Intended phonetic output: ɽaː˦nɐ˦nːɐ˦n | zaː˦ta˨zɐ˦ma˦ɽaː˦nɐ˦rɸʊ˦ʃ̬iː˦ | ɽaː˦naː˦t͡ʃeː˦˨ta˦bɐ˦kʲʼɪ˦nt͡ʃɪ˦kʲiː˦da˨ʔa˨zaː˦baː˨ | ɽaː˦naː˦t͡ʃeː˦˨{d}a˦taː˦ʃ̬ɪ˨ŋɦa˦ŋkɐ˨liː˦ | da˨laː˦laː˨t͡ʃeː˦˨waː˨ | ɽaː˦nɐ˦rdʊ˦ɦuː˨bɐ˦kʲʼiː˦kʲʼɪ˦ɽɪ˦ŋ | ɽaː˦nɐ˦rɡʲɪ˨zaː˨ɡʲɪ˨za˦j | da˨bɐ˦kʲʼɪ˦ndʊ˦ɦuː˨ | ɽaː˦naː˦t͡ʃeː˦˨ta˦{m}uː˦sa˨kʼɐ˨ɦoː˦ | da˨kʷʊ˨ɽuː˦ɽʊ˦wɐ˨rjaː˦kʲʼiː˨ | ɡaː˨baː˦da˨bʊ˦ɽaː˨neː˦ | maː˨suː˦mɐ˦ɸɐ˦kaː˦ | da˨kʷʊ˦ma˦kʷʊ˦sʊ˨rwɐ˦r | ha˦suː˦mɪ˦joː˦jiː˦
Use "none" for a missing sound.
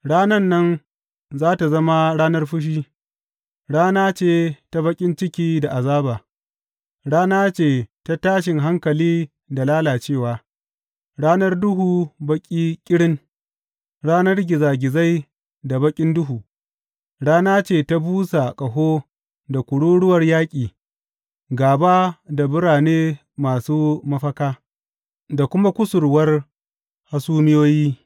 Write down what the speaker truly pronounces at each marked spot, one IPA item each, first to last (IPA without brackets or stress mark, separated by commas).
t, b